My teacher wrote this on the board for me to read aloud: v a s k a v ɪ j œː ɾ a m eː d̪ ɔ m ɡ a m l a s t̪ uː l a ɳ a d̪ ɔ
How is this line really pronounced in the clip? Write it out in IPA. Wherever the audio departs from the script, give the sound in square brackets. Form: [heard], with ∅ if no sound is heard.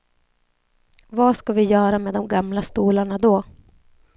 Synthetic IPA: v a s k a v ɪ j œː ɾ a m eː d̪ ɔ m ɡ a m l a s t̪ uː l a ɳ a d̪ ɔ